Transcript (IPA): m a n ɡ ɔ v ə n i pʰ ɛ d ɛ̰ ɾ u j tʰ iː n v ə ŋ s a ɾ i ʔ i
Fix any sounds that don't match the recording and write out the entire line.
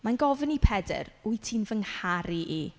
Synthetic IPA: m a n ɡ ɔ v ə n i pʰ ɛ d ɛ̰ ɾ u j tʰ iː n v ə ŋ h a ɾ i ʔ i